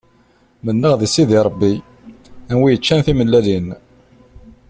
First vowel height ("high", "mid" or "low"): mid